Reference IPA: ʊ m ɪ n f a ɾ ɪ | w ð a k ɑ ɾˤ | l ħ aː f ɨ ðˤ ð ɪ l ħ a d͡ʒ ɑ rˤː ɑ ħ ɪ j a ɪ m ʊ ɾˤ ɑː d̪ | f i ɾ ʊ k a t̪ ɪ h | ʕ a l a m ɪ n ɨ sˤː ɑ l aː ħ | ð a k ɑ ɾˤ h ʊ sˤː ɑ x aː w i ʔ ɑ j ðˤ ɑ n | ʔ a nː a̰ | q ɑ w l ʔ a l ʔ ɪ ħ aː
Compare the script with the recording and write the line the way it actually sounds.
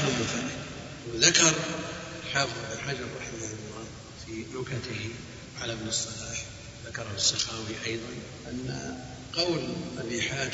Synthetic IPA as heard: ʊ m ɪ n f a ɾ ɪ | w ð a k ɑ ɾˤ | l ħ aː f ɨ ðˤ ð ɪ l ħ a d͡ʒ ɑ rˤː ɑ ħ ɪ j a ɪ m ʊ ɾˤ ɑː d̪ | f i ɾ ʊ k a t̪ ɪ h | ʕ a l a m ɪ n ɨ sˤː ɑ l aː ħ | ð a k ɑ ɾˤ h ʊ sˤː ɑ x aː w i ʔ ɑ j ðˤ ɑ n | ʔ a nː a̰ | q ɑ w l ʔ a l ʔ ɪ ħ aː